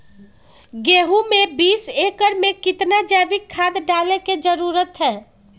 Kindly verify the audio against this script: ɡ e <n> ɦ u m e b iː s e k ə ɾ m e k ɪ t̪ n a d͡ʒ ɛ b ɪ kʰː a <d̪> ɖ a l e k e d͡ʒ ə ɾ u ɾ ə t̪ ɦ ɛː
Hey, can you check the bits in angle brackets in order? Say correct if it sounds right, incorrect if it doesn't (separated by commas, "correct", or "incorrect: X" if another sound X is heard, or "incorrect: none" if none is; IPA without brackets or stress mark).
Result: incorrect: none, correct